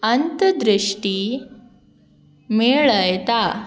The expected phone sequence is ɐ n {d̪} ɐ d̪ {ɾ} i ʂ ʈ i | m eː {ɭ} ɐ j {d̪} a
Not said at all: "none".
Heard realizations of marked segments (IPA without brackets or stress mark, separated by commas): t̪, ɾ, ɭ, t̪